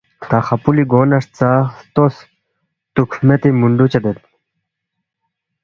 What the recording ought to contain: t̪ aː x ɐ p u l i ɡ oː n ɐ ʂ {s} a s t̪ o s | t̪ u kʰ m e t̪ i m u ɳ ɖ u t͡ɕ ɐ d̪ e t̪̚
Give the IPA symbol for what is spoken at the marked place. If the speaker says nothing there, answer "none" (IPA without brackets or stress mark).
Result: t͡s